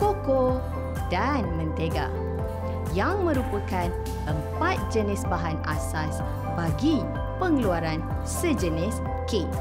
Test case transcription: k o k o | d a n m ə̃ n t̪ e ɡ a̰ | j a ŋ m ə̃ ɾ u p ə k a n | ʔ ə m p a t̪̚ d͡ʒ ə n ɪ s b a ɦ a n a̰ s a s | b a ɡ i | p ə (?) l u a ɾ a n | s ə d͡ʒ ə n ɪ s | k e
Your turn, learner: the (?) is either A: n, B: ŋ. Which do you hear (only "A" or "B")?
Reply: B